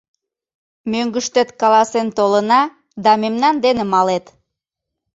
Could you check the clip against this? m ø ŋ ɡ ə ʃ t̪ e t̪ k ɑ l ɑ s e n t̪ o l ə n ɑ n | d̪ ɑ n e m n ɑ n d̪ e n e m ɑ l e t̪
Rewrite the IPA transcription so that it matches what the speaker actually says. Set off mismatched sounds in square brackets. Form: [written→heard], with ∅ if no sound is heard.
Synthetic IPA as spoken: m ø ŋ ɡ ə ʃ t̪ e t̪ k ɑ l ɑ s e n t̪ o l ə n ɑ [n→∅] | d̪ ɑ [n→m] e m n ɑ n d̪ e n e m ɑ l e t̪